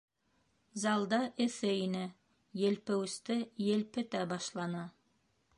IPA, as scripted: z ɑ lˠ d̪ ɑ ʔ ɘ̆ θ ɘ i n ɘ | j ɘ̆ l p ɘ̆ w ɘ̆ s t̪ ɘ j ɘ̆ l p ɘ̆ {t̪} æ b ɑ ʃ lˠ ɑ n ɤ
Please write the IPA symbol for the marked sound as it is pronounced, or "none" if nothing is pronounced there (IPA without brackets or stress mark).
t̪